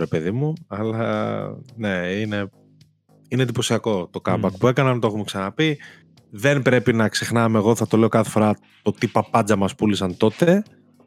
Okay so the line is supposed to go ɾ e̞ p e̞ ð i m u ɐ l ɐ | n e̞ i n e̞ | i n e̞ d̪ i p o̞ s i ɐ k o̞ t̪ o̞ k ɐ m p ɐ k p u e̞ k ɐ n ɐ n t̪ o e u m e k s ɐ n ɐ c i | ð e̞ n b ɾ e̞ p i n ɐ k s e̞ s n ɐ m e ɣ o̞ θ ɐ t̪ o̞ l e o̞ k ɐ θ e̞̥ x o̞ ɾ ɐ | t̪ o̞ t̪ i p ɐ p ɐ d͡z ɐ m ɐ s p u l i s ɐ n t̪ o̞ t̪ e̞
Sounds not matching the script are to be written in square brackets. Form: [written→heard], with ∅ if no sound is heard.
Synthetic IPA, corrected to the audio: ɾ e̞ p e̞ ð i m u ɐ l ɐ | n e̞ i n e̞ | i n e̞ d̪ i p o̞ s i ɐ k o̞ t̪ o̞ k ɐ m [p→b] ɐ k p u e̞ k ɐ n ɐ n t̪ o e u m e k s ɐ n ɐ [c→p] i | ð e̞ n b ɾ e̞ p i n ɐ k s e̞ [s→x] n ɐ m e ɣ o̞ θ ɐ t̪ o̞ l e o̞ k ɐ θ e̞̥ [x→f] o̞ ɾ ɐ | t̪ o̞ t̪ i p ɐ p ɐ d͡z ɐ m ɐ s p u l i s ɐ n t̪ o̞ t̪ e̞